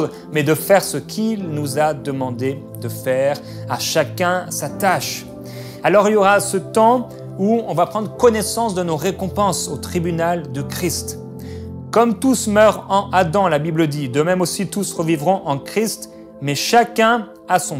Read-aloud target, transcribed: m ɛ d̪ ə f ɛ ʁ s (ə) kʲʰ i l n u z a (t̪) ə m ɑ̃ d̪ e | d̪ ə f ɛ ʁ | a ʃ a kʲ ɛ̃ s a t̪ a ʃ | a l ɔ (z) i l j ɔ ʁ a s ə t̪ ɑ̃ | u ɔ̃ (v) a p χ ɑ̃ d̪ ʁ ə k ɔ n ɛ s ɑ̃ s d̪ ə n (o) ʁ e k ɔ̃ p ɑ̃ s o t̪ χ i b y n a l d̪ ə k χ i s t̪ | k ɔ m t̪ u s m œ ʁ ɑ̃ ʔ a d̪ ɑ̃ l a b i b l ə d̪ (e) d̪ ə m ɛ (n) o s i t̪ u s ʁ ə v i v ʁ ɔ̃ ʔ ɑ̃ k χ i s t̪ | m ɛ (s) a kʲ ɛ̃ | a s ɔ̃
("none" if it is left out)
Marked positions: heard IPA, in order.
ə, d̪, ʁ, v, o, i, m, ʃ

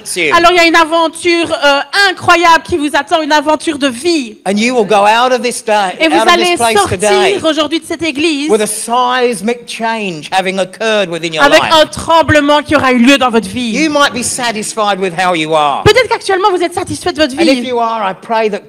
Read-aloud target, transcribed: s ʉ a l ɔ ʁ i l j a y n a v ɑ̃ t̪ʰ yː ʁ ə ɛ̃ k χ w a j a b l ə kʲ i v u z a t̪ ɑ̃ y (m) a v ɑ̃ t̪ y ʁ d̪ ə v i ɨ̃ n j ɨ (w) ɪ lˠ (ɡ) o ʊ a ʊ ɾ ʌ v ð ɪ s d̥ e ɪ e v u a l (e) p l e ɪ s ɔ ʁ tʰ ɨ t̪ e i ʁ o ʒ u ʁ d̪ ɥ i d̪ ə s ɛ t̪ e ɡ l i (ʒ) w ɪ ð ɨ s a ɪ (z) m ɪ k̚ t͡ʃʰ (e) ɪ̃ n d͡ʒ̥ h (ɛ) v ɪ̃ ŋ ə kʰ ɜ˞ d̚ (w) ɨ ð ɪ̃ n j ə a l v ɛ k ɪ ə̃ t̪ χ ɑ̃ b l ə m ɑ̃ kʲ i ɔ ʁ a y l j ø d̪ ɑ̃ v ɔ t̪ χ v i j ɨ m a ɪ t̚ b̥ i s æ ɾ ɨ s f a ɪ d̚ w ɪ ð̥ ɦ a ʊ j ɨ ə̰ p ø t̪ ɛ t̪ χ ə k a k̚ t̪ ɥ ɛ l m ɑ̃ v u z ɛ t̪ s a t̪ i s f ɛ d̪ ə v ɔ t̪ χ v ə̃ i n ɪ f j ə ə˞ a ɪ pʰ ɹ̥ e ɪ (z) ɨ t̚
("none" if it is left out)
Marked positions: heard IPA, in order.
n, w, ɡ, e, z, z, ẽ, æ, w, ð

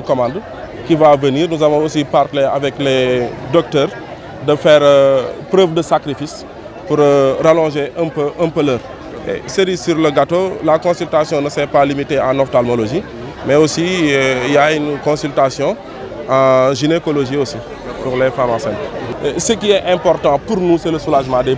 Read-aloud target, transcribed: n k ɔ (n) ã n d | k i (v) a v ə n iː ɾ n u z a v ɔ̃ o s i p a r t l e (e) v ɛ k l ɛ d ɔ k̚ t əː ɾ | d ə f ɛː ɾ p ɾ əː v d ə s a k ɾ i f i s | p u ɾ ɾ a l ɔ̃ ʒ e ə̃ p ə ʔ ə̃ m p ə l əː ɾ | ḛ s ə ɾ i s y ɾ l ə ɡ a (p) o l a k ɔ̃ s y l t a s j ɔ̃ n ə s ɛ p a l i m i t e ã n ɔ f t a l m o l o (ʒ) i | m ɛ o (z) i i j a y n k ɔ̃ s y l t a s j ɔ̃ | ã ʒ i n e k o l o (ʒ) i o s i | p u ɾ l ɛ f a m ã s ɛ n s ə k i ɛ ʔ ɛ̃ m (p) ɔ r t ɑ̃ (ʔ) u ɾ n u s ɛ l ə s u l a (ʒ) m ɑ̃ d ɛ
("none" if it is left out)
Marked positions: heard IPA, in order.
m, v, a, t, ʒ, s, ʒ, p, p, ʒ

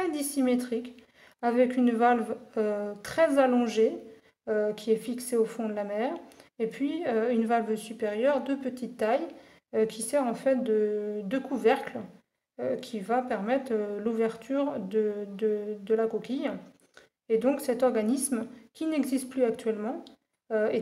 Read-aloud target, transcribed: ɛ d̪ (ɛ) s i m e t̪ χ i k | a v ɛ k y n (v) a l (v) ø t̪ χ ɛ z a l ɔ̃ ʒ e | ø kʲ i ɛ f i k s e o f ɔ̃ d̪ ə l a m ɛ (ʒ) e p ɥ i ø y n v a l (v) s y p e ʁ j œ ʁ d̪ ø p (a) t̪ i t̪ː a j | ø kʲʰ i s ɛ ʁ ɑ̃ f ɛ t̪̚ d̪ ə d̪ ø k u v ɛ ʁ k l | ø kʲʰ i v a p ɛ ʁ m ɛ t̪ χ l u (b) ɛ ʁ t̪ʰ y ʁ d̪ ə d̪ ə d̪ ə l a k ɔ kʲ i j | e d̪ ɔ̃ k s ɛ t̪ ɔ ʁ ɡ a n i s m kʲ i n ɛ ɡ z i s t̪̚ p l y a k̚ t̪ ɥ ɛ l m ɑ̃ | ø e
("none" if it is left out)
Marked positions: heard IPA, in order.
i, v, v, ʁ, v, ə, v

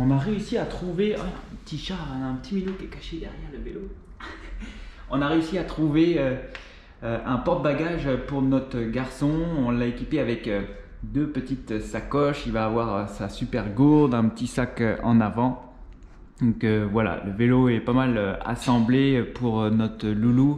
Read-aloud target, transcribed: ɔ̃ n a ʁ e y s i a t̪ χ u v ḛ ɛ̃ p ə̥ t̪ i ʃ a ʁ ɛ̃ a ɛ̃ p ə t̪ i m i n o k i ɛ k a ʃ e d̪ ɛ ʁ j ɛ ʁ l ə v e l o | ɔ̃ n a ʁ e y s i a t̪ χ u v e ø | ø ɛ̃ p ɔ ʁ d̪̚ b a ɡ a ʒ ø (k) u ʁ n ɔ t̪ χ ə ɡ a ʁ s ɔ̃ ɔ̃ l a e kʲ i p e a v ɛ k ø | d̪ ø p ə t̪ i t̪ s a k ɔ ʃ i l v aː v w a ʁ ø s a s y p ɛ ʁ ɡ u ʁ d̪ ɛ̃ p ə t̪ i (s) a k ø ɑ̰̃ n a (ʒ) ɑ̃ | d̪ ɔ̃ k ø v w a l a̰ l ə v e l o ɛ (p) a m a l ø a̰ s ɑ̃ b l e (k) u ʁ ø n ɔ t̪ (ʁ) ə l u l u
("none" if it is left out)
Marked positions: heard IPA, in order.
p, s, v, p, p, χ

